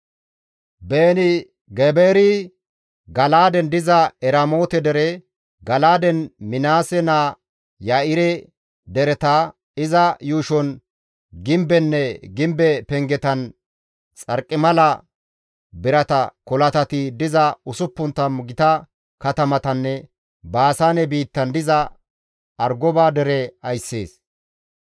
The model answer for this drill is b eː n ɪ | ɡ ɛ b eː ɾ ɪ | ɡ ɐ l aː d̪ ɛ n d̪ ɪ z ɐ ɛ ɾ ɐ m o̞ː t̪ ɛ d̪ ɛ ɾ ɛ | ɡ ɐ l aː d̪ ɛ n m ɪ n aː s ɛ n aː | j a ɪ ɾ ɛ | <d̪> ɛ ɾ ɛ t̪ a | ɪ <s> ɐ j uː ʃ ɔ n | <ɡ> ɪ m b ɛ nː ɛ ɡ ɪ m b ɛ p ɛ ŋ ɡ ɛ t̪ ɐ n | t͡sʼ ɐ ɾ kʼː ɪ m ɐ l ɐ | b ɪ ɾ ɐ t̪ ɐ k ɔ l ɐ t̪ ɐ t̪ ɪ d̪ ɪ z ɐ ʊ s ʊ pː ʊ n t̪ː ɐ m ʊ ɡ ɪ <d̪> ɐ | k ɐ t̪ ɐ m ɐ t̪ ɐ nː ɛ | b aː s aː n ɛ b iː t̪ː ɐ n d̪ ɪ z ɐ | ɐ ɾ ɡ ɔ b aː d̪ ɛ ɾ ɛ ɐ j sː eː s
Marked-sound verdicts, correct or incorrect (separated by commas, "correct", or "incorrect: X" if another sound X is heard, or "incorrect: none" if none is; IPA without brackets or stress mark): correct, incorrect: z, correct, incorrect: t̪